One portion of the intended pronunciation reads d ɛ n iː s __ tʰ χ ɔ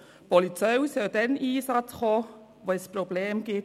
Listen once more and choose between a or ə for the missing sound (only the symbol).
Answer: a